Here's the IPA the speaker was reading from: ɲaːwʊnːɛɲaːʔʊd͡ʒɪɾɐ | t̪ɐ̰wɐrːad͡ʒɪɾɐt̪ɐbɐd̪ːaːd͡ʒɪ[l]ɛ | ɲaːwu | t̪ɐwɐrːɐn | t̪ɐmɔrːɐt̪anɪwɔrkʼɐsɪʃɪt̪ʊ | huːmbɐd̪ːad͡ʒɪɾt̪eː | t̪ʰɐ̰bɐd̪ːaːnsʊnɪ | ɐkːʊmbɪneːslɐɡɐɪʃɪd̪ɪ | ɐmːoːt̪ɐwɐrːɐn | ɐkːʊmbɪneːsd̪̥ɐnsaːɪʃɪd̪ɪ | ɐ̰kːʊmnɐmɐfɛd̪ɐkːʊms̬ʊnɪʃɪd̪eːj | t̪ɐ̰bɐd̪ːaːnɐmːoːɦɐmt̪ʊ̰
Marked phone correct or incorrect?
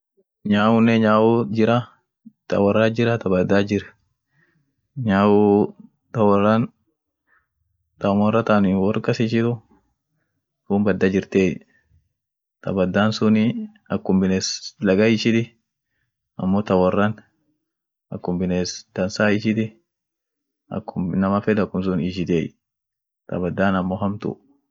incorrect